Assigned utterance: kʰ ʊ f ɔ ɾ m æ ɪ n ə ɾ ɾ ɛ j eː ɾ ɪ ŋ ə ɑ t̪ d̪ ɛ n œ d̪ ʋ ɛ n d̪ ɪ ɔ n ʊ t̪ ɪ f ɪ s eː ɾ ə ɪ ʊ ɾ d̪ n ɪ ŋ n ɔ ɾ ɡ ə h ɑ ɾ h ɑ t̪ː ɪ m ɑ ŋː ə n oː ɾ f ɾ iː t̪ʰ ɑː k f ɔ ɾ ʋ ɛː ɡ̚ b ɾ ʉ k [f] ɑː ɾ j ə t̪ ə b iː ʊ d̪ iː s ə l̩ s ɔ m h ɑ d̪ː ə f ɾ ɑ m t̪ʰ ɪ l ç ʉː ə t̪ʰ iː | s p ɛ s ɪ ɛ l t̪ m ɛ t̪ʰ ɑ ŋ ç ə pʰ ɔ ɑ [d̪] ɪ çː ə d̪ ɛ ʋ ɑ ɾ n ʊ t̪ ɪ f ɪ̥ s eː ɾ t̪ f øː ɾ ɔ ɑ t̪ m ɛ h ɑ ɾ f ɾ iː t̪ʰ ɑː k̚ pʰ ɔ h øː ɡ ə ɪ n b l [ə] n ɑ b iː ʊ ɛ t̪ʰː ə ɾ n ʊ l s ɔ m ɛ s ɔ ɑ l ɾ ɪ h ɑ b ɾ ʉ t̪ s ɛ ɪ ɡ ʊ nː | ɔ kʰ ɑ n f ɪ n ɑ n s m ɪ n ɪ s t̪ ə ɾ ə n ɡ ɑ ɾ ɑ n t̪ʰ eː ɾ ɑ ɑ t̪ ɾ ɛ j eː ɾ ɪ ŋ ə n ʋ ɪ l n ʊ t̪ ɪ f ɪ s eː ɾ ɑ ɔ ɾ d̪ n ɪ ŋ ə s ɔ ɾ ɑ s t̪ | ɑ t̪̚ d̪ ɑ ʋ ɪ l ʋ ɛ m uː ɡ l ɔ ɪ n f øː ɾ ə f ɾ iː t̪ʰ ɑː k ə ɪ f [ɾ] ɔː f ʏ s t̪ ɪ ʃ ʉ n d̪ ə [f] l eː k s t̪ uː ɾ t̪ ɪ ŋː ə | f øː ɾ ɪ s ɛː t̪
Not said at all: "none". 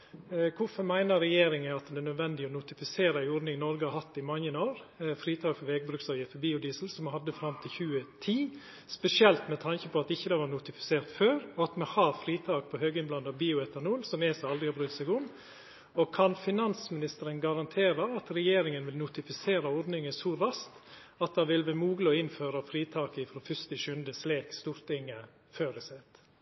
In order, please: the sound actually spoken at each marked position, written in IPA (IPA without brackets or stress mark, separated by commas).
s, t̪, ɑ, ɾ, s